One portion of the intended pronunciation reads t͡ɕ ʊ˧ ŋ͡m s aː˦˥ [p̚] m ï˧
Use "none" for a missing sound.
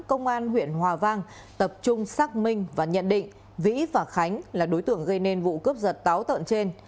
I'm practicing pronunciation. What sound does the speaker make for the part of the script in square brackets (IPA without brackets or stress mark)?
k̚